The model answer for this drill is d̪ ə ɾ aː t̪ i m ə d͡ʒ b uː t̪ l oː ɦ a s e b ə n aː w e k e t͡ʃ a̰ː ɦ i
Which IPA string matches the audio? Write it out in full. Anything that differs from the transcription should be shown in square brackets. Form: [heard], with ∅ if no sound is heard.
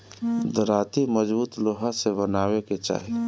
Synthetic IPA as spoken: d̪ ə ɾ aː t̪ i m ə d͡ʒ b uː t̪ l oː ɦ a s e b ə n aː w e k e t͡ʃ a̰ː ɦ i